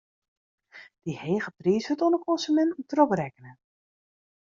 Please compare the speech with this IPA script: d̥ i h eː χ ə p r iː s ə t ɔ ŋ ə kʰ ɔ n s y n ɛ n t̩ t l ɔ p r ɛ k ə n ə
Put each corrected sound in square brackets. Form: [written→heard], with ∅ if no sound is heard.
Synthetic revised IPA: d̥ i h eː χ ə p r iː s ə t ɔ [ŋ→n] ə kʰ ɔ n s y [n→m] ɛ n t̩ t [l→r] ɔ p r ɛ k ə n ə